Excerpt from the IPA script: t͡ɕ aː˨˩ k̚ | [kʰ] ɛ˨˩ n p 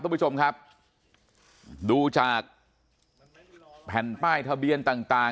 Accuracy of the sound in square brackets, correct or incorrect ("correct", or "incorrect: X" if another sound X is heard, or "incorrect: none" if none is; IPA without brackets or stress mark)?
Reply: incorrect: pʰ